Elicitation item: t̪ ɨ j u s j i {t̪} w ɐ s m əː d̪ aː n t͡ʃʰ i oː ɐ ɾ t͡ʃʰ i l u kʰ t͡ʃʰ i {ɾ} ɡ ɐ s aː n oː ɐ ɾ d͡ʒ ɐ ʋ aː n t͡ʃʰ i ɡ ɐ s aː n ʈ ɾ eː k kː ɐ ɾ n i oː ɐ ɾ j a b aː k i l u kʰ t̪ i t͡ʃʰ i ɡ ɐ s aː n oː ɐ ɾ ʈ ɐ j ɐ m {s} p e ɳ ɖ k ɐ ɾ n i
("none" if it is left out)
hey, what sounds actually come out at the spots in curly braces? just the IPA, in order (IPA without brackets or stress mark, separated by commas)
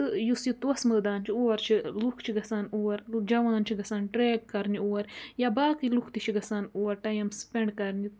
t̪, none, s